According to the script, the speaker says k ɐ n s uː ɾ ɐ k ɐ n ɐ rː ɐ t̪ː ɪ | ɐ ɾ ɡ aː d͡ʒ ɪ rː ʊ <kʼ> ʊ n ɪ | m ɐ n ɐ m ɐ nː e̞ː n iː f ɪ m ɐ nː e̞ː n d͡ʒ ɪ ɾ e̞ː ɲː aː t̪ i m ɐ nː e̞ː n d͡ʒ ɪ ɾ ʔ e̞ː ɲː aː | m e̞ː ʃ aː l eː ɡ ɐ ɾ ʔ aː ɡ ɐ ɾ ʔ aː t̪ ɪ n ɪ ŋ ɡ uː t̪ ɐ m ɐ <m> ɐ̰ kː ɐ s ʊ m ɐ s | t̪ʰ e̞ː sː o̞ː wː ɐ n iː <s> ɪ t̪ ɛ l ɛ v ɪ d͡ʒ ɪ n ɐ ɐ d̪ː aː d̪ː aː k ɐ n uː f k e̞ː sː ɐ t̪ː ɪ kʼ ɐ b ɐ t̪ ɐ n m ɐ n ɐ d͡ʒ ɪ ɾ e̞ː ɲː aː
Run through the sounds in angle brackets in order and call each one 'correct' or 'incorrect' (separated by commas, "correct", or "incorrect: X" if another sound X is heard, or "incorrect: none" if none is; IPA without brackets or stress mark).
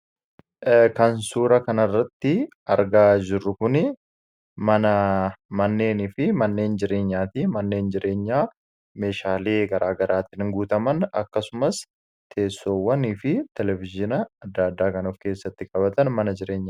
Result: incorrect: k, incorrect: n, incorrect: f